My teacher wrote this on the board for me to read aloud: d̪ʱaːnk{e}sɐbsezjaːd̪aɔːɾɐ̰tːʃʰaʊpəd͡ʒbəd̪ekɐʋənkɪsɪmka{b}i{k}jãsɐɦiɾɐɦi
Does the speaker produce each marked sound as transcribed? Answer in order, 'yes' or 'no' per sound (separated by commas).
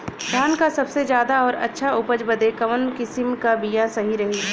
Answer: no, yes, no